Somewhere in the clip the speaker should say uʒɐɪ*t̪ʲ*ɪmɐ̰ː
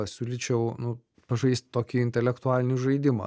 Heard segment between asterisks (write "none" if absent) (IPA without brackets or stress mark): d̪ʲ